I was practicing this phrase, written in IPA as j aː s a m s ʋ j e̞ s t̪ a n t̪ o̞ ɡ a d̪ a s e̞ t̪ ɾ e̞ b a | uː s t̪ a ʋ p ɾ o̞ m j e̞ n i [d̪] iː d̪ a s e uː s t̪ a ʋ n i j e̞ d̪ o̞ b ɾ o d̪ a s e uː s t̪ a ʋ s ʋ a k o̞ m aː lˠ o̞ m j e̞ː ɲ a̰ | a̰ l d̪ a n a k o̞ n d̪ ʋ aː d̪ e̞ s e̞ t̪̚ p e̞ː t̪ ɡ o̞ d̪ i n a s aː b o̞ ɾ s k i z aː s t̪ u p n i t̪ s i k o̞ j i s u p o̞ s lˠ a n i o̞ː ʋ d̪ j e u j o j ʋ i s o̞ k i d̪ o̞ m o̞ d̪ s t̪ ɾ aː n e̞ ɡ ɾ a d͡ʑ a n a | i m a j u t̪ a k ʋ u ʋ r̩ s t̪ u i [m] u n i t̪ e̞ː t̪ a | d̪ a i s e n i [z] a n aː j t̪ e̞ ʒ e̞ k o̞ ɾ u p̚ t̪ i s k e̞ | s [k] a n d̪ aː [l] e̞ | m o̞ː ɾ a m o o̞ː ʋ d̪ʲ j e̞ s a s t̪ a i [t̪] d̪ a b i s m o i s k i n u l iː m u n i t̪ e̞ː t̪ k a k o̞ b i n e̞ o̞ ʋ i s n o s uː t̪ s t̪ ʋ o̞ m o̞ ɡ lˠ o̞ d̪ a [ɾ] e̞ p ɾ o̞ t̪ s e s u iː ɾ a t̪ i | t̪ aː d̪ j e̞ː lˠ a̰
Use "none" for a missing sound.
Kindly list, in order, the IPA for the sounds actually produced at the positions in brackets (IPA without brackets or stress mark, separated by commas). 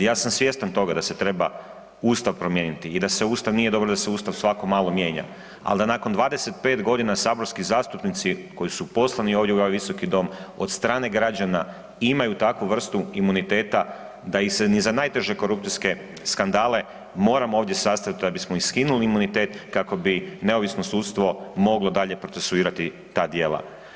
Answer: t̪, m, z, k, l, t̪, ʎ